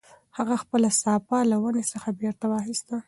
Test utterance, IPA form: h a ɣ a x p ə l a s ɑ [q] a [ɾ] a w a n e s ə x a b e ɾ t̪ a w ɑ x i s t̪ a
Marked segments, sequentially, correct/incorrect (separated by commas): incorrect, incorrect